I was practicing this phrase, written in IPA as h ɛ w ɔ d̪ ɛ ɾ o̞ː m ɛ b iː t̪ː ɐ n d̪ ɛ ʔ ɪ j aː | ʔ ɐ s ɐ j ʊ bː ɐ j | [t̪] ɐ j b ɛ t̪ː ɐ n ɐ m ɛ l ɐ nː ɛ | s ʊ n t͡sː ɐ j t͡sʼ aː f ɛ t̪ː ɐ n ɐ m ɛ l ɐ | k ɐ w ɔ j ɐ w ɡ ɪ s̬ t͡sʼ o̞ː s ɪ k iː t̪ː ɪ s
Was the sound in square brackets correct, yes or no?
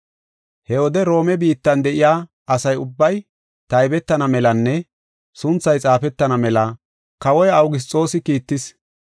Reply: yes